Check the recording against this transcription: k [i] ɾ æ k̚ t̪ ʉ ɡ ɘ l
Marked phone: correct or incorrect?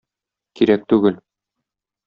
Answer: correct